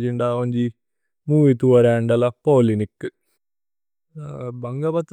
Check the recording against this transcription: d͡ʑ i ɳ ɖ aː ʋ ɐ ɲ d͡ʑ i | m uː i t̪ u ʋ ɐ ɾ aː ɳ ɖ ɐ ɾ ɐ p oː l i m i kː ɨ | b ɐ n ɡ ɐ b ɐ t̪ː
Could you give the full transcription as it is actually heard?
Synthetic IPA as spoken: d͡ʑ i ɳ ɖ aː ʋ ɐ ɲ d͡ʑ i | m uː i t̪ u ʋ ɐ ɾ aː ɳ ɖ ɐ l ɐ p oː l i n i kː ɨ | b ɐ ŋ ɡ ɐ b ɐ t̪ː